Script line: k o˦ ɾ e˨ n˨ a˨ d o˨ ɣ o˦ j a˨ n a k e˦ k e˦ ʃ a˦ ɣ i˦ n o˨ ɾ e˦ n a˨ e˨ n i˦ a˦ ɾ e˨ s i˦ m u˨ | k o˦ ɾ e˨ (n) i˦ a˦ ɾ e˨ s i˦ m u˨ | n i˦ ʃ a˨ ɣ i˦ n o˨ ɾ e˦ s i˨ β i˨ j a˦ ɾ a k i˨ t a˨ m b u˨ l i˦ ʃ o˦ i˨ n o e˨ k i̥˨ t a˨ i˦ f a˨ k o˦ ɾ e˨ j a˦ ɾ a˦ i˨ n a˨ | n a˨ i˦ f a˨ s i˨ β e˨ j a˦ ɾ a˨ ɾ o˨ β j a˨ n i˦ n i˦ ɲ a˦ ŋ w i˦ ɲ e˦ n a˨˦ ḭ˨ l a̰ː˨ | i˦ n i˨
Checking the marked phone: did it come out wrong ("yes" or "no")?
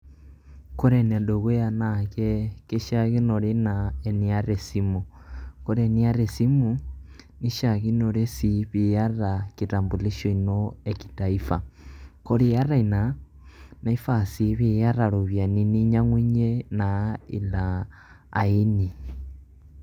no